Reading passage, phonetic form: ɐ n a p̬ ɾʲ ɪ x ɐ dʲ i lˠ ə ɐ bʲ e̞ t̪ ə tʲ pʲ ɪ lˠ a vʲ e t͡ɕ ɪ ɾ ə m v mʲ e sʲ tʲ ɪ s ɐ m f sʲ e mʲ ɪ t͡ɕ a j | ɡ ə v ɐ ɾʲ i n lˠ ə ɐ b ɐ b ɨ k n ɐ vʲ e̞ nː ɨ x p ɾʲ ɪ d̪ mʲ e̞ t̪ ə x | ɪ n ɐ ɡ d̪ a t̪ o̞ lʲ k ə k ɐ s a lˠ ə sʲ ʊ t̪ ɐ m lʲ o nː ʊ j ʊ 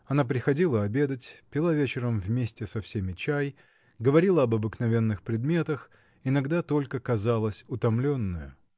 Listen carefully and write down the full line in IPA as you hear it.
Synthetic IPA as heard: ɐ n a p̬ ɾʲ ɪ x ɐ dʲ i lˠ ə ɐ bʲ e̞ d̪ ə tʲ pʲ ɪ lˠ a vʲ e t͡ɕ ɪ ɾ ə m v mʲ e sʲ tʲ ɪ s ɐ f sʲ e mʲ ɪ t͡ɕ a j | ɡ ə v ɐ ɾʲ i lˠ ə ɐ b ɐ b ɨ k n ɐ vʲ e̞ nː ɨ x p ɾʲ ɪ d̪ mʲ e̞ t̪ ə x | ɪ n ɐ ɡ d̪ a t̪ o̞ lʲ k ə k ɐ z a lˠ ə sʲ ʊ t̪ ɐ m lʲ o nː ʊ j ʊ